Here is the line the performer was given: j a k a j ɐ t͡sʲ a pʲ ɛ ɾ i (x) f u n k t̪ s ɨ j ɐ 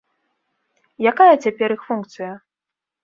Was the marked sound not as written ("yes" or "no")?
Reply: no